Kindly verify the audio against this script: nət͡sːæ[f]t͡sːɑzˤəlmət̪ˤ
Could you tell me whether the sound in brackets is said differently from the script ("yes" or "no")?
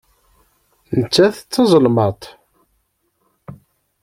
yes